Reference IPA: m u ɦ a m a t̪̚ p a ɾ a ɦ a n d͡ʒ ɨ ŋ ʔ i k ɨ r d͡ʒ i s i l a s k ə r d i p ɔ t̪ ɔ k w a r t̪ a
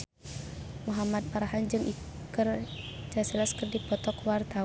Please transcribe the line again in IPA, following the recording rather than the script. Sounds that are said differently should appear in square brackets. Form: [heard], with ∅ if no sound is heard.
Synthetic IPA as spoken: m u ɦ a m a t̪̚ p a ɾ a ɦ a n d͡ʒ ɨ ŋ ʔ i k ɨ r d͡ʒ [a] s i l a s k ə r d i p ɔ t̪ ɔ k w a r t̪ a